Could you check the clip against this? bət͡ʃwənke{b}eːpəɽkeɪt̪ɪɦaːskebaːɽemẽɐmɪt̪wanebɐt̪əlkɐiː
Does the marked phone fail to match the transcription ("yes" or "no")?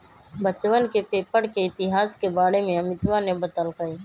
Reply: yes